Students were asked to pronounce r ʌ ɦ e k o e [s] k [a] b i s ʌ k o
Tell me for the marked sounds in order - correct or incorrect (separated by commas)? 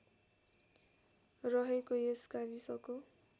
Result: correct, correct